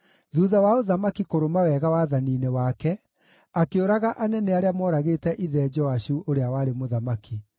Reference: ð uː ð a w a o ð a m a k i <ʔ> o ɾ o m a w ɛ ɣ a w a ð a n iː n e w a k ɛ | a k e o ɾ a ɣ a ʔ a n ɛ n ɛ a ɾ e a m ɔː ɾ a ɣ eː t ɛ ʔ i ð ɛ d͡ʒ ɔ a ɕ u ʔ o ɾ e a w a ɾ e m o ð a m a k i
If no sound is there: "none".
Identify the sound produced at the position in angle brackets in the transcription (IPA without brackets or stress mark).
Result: k